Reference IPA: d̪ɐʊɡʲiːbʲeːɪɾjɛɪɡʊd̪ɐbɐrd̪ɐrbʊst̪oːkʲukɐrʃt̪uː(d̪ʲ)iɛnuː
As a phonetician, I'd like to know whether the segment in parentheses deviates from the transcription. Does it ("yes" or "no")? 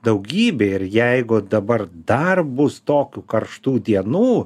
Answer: no